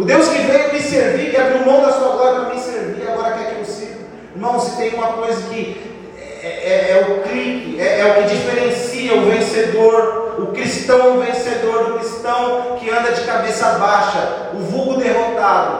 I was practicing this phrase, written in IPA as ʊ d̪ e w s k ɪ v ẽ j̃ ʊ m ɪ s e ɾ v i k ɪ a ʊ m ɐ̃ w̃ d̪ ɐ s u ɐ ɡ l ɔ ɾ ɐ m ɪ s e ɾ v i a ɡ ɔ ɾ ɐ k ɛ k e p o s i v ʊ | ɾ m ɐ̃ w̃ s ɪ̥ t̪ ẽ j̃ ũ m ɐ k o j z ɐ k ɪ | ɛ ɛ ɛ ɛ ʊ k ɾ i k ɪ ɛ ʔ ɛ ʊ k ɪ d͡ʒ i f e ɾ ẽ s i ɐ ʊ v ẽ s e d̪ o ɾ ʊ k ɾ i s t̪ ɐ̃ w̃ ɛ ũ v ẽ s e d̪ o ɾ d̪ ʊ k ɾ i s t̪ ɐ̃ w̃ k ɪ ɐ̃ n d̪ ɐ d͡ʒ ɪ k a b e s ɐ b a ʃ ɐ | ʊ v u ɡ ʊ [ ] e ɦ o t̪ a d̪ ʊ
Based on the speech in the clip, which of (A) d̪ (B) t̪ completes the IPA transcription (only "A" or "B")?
A